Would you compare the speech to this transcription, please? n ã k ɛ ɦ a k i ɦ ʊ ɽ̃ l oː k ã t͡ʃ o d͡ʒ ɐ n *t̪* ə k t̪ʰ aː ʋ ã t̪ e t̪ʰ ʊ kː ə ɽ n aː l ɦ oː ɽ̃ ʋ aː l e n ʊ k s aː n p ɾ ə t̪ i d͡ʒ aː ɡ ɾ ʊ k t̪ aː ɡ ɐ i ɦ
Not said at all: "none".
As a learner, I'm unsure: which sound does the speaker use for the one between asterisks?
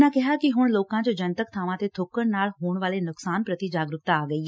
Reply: t̪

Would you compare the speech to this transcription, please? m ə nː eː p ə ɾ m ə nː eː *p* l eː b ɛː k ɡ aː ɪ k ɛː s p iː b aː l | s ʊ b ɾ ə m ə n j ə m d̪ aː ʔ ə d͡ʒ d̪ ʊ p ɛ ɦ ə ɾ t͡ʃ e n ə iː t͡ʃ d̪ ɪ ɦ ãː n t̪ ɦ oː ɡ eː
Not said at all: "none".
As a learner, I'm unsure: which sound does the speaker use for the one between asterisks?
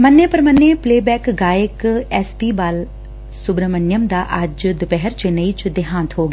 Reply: p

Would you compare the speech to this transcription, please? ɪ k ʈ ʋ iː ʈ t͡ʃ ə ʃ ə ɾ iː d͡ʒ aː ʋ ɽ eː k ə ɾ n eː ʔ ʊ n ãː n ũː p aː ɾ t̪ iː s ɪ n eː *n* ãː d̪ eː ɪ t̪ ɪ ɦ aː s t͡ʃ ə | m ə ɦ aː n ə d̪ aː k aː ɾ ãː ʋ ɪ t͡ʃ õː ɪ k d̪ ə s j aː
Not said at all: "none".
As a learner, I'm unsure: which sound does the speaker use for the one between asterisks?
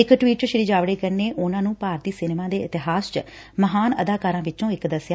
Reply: m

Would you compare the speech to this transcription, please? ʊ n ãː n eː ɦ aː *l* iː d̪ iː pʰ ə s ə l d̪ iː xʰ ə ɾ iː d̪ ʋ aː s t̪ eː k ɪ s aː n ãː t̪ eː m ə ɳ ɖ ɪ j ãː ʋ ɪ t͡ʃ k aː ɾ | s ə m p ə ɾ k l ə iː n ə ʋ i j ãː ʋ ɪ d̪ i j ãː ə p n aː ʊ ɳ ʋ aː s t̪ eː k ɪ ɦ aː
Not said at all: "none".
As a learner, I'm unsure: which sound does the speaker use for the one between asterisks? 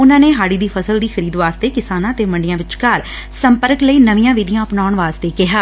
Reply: ɽ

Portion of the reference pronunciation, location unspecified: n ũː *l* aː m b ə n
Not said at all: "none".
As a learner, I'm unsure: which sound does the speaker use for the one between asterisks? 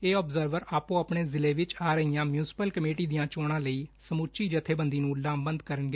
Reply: l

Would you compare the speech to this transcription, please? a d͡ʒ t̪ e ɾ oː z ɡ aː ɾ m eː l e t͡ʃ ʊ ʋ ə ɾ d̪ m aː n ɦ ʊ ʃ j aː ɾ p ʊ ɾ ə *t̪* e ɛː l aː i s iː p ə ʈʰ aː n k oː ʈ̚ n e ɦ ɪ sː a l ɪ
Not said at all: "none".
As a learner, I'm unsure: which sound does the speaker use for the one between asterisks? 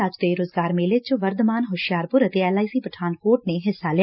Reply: t̪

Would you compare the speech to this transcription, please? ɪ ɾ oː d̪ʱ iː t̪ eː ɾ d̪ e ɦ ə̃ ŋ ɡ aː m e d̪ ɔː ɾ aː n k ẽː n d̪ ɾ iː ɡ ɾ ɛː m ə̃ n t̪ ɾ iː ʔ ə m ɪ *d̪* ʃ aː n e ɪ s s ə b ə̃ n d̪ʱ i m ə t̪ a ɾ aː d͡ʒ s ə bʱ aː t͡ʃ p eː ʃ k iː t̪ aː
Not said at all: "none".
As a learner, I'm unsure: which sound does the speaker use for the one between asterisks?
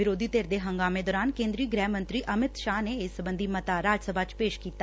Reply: t̪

